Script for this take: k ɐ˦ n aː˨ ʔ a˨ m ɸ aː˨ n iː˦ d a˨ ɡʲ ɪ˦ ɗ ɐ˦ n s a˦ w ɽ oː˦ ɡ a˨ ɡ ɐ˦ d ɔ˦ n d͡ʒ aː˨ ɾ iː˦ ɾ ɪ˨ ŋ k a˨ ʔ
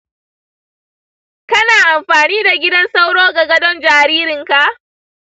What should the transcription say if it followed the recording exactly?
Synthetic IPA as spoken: k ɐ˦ n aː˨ ʔ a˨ m ɸ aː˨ n iː˦ d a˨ ɡʲ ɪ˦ d ɐ˦ n s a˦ w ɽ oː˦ ɡ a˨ ɡ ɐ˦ d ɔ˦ n d͡ʒ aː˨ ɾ iː˦ ɾ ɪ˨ ŋ k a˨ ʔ